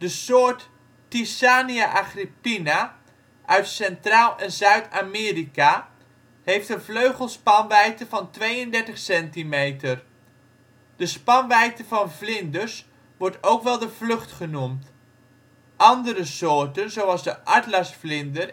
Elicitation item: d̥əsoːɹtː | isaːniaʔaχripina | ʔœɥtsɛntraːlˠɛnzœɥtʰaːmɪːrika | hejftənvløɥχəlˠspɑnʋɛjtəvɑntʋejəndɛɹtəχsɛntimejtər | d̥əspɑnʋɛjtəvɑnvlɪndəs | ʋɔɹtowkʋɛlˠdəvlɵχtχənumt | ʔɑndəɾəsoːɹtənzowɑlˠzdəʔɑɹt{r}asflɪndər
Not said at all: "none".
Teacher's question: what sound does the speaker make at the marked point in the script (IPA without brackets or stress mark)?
l